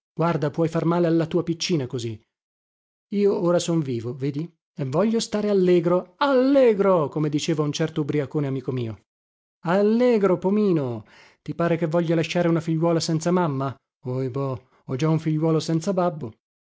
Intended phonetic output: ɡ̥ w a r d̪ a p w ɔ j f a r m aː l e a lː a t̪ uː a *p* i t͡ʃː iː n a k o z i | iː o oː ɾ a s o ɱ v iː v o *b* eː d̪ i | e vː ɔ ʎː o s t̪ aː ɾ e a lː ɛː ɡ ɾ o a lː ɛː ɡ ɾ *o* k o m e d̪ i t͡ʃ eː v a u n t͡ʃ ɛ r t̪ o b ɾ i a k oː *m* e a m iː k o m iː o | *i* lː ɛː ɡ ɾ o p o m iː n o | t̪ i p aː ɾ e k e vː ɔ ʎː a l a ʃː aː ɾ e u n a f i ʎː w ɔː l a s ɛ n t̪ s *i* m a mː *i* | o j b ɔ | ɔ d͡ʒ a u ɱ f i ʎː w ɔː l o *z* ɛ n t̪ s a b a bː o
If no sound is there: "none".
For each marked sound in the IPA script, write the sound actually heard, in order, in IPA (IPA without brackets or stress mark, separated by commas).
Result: p, v, o, n, a, a, a, s